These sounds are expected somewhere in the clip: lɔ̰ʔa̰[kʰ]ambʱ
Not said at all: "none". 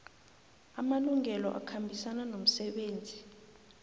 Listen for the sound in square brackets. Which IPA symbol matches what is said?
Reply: kʰ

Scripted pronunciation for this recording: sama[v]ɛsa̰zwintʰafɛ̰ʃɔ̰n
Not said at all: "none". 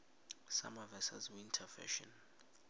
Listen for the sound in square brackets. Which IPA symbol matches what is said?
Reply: v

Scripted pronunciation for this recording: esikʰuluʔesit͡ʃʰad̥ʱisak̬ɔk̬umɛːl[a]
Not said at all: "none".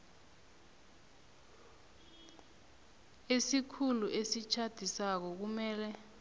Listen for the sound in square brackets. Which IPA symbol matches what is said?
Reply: ɛ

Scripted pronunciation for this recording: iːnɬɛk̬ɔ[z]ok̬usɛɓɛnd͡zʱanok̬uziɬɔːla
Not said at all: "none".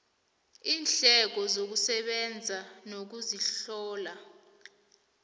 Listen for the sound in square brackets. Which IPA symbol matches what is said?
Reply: z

